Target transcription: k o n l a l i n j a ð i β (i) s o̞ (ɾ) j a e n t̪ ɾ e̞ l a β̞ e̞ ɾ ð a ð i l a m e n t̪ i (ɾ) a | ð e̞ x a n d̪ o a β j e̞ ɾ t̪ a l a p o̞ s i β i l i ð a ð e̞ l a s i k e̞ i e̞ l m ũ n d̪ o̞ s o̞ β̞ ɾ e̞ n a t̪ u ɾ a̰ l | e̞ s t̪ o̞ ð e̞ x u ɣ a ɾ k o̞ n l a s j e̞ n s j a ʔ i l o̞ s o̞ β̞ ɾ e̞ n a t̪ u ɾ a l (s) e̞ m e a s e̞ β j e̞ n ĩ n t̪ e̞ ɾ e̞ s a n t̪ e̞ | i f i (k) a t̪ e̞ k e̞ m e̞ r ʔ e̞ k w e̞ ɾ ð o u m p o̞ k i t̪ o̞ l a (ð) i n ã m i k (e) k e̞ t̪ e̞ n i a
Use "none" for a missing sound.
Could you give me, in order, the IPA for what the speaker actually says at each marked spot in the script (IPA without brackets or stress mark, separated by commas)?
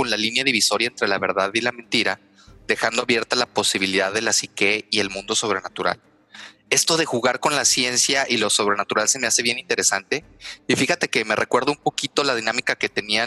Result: i, ɾ, ɾ, s, x, ð, a